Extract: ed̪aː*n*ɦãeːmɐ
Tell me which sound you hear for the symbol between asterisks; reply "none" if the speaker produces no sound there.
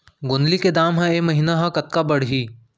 m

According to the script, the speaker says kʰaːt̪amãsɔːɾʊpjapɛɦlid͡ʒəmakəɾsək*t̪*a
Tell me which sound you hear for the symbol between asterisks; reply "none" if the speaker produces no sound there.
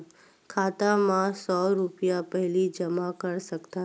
t̪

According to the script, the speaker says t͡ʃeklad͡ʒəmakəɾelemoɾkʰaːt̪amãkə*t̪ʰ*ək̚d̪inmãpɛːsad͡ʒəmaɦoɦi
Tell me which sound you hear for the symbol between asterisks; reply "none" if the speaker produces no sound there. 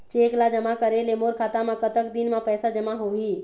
t̪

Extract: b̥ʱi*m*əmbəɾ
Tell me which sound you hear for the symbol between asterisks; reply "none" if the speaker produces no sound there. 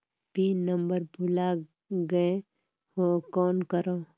n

